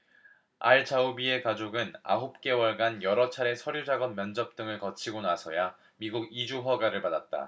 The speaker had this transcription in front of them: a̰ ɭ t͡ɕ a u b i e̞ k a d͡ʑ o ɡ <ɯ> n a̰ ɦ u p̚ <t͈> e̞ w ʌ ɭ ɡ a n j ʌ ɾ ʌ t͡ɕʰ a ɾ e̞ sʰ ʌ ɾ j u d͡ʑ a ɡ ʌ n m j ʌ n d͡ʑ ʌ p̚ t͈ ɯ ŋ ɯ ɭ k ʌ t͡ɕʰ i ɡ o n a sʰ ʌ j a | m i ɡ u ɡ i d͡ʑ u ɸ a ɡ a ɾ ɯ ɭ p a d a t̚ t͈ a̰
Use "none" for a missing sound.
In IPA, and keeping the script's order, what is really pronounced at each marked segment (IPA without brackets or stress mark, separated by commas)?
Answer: ɯ, k͈